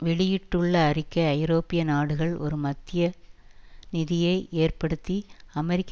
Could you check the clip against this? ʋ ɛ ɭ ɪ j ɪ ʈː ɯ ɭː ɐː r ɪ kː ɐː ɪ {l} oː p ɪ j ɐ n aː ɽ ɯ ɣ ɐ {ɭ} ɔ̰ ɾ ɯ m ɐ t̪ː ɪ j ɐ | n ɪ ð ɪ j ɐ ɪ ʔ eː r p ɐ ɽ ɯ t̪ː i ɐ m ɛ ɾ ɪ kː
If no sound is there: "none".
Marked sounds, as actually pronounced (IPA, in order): ɾ, ɭ

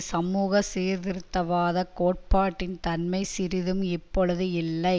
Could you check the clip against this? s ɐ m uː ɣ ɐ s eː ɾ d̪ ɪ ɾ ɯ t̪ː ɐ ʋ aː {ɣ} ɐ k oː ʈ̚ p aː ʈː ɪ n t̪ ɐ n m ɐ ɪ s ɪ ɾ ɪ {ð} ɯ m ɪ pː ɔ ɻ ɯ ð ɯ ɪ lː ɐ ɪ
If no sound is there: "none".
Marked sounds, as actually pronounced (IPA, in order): ð, ð

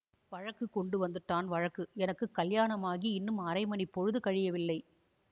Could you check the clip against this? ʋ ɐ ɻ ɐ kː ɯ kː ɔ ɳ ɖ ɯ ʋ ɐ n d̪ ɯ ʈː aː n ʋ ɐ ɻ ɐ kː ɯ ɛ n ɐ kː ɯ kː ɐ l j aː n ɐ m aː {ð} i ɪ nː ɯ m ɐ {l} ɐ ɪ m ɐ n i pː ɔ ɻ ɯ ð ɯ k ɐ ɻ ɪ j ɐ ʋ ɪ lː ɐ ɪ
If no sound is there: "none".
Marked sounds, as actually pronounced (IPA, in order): ɣ, ɾ

